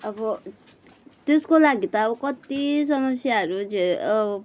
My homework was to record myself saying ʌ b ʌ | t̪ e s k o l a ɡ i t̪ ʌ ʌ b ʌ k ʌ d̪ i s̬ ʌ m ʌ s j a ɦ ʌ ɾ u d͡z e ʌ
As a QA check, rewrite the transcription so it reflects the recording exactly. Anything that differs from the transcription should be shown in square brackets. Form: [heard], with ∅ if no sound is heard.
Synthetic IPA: ʌ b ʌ | t̪ e s k o l a ɡ i t̪ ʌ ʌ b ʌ k ʌ [t̪] i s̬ ʌ m ʌ s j a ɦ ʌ ɾ u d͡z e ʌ